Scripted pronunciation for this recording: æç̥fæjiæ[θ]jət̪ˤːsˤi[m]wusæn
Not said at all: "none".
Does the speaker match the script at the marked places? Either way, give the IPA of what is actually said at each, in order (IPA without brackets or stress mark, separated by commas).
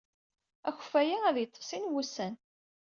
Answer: ð, n